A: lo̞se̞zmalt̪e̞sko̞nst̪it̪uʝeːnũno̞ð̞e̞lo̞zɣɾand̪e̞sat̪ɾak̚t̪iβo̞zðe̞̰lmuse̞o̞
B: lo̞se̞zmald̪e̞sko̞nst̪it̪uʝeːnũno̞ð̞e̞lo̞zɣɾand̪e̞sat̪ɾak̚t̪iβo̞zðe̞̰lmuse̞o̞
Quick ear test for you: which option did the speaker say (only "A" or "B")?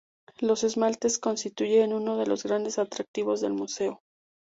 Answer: A